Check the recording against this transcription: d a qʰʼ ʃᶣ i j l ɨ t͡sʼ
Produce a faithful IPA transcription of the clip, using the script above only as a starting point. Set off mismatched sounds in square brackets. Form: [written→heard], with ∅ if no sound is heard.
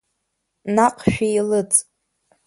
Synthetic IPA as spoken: [d→n] a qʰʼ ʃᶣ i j l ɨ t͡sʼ